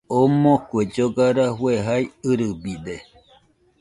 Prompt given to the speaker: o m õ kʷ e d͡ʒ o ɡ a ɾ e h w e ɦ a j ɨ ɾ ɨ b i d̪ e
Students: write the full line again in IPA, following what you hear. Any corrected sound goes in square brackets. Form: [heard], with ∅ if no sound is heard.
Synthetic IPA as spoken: o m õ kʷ e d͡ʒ o ɡ a ɾ [a] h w e ɦ a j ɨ ɾ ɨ b i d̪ e